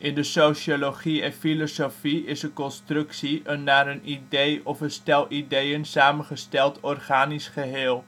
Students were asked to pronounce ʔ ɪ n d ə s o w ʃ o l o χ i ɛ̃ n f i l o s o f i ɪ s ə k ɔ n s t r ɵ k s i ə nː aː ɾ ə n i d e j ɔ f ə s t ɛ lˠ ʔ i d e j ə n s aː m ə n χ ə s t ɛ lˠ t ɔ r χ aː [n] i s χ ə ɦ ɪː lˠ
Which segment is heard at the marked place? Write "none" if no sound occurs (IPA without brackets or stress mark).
n